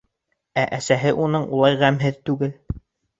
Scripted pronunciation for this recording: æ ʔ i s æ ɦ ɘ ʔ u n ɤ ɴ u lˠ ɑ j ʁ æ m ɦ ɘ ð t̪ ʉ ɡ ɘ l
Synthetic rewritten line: æ ʔ æ s æ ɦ ɘ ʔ u n ɤ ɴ u lˠ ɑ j ʁ æ m ɦ ɘ ð t̪ ʉ ɡ ɘ l

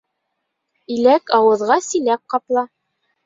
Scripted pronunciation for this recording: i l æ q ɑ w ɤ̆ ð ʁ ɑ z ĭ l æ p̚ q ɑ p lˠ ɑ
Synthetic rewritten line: i l æ k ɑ w ɤ̆ ð ʁ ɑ s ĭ l æ p̚ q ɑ p lˠ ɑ

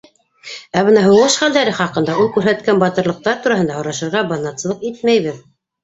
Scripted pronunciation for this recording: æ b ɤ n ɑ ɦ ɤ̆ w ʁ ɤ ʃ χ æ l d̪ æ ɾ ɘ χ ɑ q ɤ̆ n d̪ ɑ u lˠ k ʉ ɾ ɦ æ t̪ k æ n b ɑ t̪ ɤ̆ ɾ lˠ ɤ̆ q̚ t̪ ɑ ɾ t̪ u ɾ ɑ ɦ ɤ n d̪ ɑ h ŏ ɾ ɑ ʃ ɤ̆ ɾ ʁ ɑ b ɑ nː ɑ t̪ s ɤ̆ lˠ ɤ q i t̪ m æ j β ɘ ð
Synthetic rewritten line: æ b ɤ n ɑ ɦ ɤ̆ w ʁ ɤ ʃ χ æ l d̪ æ ɾ ɘ χ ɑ q ɤ̆ n d̪ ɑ u lˠ k ʉ ɾ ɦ æ t̪ k æ n b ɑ t̪ ɤ̆ ɾ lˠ ɤ̆ q̚ t̪ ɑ ɾ t̪ u ɾ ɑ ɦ ɤ n d̪ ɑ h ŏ ɾ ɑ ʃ ɤ̆ ɾ ʁ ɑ b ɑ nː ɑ t̪ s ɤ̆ lˠ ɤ q i t̪ m æ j β ɘ ð

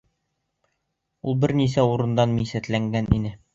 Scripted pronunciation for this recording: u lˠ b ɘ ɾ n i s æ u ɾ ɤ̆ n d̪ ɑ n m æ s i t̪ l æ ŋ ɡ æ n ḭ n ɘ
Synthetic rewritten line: u lˠ b ɘ ɾ n i s æ u ɾ ɤ̆ n d̪ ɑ n m i s æ t̪ l æ ŋ ɡ æ n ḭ n ɘ

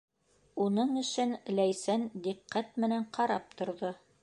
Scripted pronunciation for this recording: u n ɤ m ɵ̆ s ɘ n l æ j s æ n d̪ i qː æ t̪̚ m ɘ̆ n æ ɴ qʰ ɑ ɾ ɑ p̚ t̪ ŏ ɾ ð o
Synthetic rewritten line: u n ɤ ɴ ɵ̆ ʃ ɘ n l æ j s æ n d̪ i qː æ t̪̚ m ɘ̆ n æ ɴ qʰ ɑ ɾ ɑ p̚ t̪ ŏ ɾ ð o

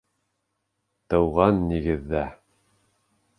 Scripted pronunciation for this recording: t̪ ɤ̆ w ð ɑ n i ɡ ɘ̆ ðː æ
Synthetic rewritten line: t̪ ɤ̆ w ʁ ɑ nː i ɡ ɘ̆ ðː æ

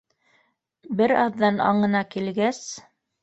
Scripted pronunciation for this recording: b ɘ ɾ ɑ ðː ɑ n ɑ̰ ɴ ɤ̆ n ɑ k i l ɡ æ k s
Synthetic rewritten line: b ɘ ɾ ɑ ðː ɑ n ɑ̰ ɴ ɤ̆ n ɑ k i l ɡ æ s

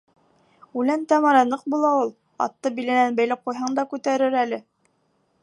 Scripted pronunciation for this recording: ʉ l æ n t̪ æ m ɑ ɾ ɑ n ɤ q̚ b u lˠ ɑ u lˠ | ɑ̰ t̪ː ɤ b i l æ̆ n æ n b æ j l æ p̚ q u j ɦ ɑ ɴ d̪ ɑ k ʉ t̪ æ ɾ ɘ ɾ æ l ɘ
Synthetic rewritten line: ʉ l æ n t̪ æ m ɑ ɾ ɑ n ɤ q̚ b u lˠ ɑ u lˠ | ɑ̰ t̪ː ɤ b i l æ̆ n æ n b æ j l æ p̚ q u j ɦ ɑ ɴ d̪ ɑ k ʉ t̪ æ ɾ ɘ ɾ æ l ɘ

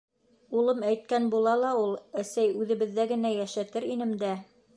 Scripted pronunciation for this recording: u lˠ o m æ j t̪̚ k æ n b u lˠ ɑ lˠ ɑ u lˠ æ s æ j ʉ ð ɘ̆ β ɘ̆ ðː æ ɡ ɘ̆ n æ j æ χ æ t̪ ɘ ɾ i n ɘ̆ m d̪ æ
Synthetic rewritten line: u lˠ ɤ m æ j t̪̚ k æ n b u lˠ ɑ lˠ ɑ u lˠ æ s æ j ʉ ð ɘ̆ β ɘ̆ ðː æ ɡ ɘ̆ n æ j æ ʃ æ t̪ ɘ ɾ i n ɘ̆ m d̪ æ

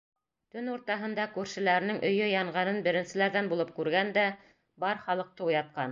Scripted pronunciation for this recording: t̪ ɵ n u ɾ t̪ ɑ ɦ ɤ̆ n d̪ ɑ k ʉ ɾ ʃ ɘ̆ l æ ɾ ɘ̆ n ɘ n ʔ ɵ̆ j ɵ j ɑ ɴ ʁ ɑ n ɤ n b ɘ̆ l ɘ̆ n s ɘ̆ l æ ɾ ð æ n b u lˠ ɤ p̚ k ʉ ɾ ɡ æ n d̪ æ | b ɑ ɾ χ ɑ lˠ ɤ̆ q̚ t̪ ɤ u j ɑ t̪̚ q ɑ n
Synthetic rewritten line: t̪ ɵ n u ɾ t̪ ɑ ɦ ɤ̆ n d̪ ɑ k ʉ ɾ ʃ ɘ̆ l æ ɾ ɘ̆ n ɘ ŋ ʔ ɵ̆ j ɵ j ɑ ɴ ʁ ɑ n ɤ n b ɘ̆ ɾ ɘ̆ n s ɘ̆ l æ ɾ ð æ n b u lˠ ɤ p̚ k ʉ ɾ ɡ æ n d̪ æ | b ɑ ɾ χ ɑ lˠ ɤ̆ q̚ t̪ ɤ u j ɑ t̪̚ q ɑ n

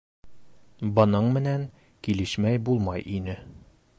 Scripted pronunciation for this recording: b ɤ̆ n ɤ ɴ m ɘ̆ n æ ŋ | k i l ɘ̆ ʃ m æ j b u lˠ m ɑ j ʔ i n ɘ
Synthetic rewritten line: b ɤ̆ n ɤ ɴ m ɘ̆ n æ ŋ | k i l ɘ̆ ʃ m æ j b u lˠ m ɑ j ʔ i n ɘ

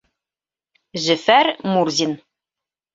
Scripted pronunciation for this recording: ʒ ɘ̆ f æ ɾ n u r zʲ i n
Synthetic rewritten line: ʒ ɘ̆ f æ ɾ m u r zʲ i n

